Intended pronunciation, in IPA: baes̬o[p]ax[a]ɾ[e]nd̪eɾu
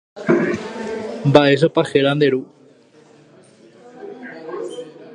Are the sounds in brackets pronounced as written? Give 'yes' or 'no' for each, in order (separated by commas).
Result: yes, no, no